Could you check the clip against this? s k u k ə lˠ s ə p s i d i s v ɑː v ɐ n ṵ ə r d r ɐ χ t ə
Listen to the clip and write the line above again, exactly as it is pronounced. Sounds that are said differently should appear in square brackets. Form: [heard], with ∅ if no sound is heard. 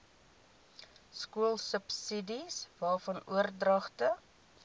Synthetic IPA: s k u [∅] ə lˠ s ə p s i d i s v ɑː [f] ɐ n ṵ ə r d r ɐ χ t ə